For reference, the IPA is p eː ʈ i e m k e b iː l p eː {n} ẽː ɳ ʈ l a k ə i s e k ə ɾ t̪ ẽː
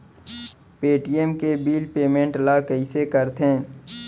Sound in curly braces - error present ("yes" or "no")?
yes